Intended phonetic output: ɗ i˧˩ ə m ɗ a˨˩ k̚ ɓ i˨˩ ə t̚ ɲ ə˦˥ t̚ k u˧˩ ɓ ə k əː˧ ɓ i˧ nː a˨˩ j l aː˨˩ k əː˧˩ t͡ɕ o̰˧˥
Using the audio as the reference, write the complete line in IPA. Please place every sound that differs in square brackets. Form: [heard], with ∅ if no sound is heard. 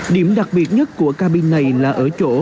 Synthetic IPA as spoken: ɗ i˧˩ ə m ɗ a˨˩ k̚ ɓ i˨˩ ə t̚ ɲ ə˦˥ t̚ k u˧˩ [∅] ə k [aː˧] ɓ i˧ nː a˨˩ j l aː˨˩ [ʔ] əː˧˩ t͡ɕ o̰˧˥